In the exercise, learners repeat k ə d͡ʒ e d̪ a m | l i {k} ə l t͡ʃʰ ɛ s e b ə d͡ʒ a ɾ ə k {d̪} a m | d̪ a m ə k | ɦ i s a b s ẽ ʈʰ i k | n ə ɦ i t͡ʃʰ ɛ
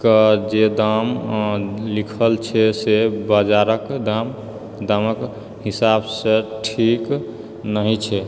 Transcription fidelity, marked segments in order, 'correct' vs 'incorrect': incorrect: kʰ, correct

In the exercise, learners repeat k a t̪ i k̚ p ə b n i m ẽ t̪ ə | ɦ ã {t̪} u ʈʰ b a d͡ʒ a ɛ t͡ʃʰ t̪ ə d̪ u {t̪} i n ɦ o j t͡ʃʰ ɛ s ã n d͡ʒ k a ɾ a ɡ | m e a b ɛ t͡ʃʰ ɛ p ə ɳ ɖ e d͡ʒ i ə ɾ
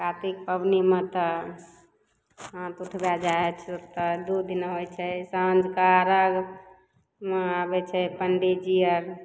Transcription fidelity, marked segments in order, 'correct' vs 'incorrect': correct, incorrect: d̪

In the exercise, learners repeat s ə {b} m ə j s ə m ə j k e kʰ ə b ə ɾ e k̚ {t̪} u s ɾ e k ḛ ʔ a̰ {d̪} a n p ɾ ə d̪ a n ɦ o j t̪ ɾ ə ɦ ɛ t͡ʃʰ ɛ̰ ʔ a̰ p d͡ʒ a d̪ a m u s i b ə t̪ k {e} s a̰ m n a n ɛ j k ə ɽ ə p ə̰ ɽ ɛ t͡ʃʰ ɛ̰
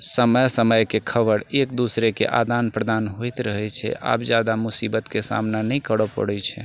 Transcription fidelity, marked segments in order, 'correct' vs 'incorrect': incorrect: none, incorrect: d̪, correct, correct

